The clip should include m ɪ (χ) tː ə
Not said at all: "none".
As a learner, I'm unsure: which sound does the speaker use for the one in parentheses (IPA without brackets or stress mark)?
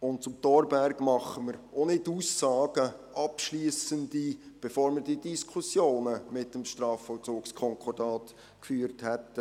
none